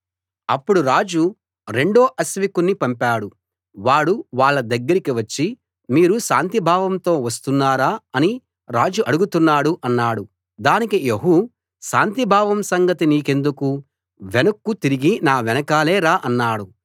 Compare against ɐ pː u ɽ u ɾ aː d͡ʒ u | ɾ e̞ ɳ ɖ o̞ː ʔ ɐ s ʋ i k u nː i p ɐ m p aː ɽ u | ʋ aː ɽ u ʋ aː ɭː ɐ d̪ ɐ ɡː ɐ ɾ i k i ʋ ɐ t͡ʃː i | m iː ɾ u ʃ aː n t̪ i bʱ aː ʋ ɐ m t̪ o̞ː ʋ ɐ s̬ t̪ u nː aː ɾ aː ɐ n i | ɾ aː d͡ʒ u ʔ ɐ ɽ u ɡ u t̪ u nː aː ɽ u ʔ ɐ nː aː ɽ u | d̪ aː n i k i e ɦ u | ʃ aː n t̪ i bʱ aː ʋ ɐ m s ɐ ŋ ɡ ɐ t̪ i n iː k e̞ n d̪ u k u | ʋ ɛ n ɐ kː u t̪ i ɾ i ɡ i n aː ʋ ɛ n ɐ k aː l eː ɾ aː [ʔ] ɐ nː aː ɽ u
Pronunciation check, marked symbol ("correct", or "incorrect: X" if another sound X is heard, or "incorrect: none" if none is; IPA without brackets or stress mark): correct